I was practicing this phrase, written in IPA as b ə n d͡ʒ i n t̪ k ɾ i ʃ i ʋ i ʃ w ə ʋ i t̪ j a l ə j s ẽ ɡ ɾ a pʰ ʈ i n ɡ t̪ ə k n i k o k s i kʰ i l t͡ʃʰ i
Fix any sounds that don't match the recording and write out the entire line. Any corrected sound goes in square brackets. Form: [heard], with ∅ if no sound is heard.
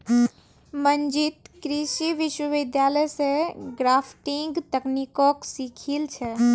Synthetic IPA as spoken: [m] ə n d͡ʒ i [∅] t̪ k ɾ i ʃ i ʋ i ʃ w ə ʋ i [d̪] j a l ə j s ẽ ɡ ɾ a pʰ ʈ i [ŋ] ɡ t̪ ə k n i k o k s i kʰ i l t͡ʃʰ [ɛ]